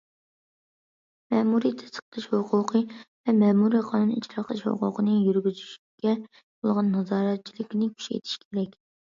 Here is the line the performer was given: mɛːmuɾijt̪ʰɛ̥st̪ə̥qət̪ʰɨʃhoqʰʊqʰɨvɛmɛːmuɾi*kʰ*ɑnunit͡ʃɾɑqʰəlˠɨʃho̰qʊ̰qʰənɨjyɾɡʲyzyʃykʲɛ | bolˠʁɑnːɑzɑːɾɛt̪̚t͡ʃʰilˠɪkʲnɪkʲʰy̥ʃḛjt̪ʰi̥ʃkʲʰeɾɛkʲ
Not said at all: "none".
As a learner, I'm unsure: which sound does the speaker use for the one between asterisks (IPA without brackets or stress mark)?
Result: qʰ